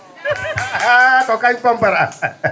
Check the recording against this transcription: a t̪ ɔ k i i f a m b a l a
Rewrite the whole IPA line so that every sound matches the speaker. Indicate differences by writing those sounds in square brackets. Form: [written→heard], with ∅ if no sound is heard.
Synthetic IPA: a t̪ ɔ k [i→a] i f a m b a [l→ɾ] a